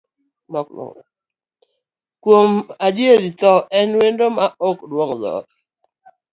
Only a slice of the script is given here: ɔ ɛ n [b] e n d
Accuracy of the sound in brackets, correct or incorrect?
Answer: incorrect